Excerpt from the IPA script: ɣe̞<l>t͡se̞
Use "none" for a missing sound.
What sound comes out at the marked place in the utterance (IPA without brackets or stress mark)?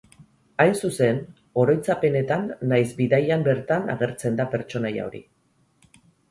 ɾ